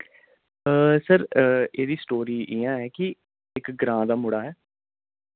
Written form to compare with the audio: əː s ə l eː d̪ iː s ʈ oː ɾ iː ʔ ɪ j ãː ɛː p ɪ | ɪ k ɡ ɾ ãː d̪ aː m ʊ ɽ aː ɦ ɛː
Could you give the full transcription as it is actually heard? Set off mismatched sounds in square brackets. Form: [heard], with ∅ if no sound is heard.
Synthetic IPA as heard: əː s ə [ɾ] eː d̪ iː s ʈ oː ɾ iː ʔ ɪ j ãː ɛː [k] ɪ | ɪ k ɡ ɾ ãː d̪ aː m ʊ ɽ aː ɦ ɛː